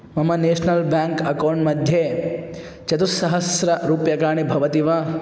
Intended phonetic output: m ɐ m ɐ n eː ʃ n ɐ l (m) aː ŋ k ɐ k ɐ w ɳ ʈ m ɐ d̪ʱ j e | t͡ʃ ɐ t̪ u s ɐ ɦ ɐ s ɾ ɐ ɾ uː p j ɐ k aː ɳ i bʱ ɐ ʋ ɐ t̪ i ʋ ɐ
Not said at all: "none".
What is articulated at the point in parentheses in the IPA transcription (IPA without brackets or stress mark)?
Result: b